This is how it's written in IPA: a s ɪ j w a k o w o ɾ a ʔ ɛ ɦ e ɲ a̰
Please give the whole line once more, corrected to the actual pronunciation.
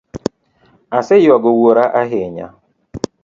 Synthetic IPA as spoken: a s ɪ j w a ɡ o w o ɾ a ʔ a ɦ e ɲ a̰